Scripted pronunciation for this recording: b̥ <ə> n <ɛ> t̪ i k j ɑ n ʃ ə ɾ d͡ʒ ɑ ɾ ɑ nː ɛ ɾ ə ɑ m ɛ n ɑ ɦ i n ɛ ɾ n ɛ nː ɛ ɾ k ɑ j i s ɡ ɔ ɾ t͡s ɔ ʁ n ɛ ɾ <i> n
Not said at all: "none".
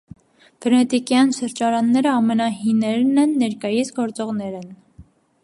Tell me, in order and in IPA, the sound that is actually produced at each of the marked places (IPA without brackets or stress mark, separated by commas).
ə, ɛ, ɛ